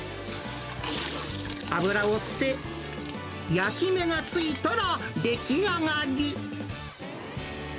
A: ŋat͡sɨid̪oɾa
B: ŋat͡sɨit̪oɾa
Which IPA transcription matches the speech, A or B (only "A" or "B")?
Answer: B